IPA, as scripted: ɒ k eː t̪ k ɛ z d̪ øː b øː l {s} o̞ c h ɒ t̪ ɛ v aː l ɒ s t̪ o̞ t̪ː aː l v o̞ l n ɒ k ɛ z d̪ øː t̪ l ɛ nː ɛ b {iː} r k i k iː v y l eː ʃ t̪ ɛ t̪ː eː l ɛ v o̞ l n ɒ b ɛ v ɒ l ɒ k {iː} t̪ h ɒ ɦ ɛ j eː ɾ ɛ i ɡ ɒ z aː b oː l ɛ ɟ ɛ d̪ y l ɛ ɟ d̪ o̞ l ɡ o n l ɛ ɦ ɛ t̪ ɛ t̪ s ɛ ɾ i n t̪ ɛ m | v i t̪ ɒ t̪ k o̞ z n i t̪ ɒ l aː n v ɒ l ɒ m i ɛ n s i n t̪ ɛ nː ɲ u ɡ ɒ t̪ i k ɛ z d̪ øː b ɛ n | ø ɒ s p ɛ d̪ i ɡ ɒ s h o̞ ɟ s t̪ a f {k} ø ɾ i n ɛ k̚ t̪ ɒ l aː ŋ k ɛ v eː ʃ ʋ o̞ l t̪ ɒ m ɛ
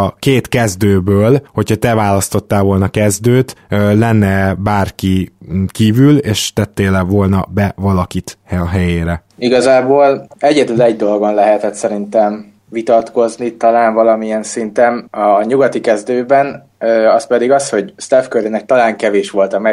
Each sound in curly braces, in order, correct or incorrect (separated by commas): incorrect, incorrect, incorrect, correct